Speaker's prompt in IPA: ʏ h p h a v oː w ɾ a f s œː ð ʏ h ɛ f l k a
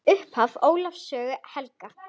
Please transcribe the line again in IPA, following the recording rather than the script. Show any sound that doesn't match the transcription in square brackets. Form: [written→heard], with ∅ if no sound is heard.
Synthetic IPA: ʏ h p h a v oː w [ɾ→l] a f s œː [ð→ɣ] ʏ h ɛ [f→∅] l k a